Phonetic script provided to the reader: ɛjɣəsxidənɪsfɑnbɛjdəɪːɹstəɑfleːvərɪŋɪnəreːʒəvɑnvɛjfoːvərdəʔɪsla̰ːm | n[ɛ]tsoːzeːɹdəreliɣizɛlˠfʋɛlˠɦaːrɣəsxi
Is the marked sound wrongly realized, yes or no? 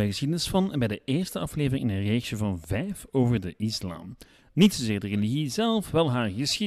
yes